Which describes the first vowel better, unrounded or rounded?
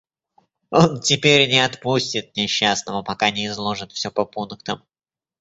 rounded